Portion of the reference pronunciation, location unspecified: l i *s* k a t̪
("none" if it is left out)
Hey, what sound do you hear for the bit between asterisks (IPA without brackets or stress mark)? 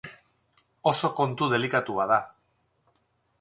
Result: none